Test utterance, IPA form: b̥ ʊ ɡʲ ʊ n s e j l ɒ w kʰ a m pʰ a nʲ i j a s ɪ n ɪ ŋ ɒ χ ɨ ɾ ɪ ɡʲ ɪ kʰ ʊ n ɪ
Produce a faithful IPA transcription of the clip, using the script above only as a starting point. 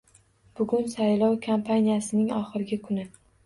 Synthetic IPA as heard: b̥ ʊ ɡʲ ʊ n s a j l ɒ w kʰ a m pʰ a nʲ i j a s ɪ n ɪ ŋ ɒ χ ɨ ɾ ɪ ɡʲ ɪ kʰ ʊ n ɪ